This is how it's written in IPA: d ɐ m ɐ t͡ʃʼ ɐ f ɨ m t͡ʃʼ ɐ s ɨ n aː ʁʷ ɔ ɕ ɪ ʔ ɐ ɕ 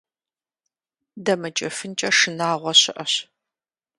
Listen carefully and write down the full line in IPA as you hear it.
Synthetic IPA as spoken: d ɐ m ɐ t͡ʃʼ ɐ f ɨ n t͡ʃʼ ɐ ʂ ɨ n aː ʁʷ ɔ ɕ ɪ ʔ ɐ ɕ